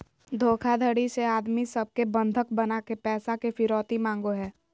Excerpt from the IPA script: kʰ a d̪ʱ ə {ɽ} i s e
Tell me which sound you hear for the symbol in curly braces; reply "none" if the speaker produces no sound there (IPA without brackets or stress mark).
ɽ